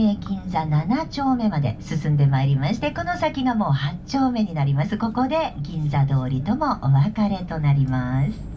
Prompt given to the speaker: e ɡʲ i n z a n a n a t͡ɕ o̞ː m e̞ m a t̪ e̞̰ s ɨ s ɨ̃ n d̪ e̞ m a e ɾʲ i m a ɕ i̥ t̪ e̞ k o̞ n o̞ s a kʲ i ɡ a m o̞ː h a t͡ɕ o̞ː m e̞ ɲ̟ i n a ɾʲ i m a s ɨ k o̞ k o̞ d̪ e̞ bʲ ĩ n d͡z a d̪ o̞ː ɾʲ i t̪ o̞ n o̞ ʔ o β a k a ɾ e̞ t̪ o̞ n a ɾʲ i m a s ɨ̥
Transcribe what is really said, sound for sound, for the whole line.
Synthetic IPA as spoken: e ɡʲ ĩ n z a n a n a t͡ɕ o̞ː m e̞ m a d̪ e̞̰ s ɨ s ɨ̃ n d̪ e̞ m a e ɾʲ i m a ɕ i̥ t̪ e̞ k o̞ n o̞ s a kʲ i ɡ a m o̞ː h a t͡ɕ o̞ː m e̞ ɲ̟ i n a ɾʲ i m a s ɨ k o̞ k o̞ d̪ e̞ ɡʲ ĩ n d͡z a d̪ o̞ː ɾʲ i t̪ o̞ m o̞ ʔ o β a k a ɾ e̞ t̪ o̞ n a ɾʲ i m a s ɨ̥